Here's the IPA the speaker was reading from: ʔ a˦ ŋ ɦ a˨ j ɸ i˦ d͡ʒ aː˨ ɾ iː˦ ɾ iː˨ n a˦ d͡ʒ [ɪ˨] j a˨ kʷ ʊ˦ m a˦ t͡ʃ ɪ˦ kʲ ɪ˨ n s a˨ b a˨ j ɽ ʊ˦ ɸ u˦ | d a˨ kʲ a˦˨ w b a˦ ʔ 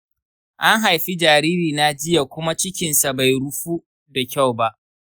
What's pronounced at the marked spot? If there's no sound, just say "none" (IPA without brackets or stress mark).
ɪ˦